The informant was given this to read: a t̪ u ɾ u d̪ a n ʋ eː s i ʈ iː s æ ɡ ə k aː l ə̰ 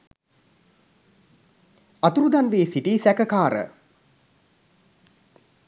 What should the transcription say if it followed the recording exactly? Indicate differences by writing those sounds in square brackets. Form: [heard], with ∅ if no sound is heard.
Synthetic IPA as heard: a t̪ u ɾ u d̪ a n ʋ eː s i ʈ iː s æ [k] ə k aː [ɾ] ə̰

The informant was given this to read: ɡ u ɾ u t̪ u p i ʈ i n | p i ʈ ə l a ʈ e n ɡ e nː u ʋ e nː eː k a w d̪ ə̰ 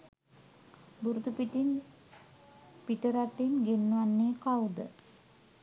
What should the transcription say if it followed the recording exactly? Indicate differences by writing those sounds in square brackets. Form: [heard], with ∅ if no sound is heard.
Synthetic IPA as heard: [b] u ɾ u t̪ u p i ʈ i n | p i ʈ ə [ɾ] a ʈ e n ɡ e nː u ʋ [a] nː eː k a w d̪ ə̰

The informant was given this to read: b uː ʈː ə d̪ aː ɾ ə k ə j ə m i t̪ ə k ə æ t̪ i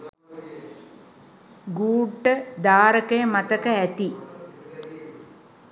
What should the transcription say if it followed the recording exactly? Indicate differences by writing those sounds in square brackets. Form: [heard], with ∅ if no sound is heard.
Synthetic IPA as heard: [ɡ] uː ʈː ə d̪ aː ɾ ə k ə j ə m [a] t̪ ə k ə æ t̪ i

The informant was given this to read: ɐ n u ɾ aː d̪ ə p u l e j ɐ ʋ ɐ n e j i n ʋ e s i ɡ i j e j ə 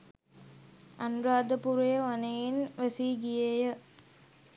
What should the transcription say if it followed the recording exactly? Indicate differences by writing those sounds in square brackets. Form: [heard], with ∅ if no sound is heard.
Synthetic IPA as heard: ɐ n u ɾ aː d̪ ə p u [ɾ] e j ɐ ʋ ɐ n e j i n ʋ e s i ɡ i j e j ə

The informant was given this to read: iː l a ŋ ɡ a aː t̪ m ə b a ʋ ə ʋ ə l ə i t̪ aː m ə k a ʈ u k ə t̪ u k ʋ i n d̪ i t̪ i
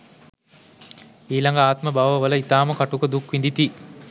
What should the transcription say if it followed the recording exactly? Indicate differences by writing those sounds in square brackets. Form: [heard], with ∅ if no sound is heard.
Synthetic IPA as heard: iː l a ŋ ɡ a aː t̪ m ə b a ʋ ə ʋ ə l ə i t̪ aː m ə k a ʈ u k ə [d̪] u k ʋ i n d̪ i t̪ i

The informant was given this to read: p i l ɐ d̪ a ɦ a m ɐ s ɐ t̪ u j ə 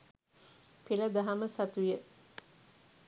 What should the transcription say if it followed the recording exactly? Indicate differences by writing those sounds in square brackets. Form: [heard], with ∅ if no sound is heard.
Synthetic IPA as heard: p i l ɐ d̪ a ɦ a m [ə] s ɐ t̪ u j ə

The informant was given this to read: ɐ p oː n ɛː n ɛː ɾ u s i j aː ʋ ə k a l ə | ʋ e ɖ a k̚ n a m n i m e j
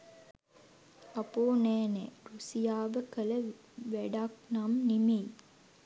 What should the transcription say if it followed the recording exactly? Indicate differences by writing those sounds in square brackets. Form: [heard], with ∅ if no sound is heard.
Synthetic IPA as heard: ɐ p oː n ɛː n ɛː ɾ u s i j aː ʋ ə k [ə] l ə | ʋ [æ] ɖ a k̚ n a m n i m e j

